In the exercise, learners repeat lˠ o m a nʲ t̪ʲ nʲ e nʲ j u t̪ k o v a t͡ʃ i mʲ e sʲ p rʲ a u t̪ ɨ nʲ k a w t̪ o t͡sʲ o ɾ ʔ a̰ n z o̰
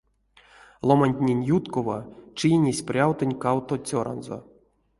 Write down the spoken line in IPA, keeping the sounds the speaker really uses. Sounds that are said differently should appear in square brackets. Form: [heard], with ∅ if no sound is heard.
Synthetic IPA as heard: lˠ o m a nʲ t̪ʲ nʲ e nʲ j u t̪ k o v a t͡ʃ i [nʲ] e sʲ p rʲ a [w] t̪ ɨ nʲ k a w t̪ o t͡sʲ o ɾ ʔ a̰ n z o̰